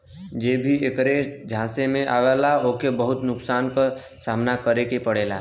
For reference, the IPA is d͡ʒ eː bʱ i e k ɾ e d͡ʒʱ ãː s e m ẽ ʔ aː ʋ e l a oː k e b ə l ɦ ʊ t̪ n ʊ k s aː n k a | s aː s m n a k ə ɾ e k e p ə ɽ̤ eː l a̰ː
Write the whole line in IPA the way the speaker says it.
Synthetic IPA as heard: d͡ʒ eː bʱ i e k ɾ e d͡ʒʱ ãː s e m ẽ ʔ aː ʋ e l a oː k e b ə ɦ ʊ t̪ n ʊ k s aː n k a | s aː m n a k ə ɾ e k e p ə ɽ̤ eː l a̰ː